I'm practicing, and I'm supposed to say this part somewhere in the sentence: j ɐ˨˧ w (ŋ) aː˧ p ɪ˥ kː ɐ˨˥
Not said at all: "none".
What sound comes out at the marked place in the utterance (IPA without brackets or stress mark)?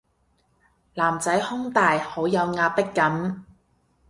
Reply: ŋ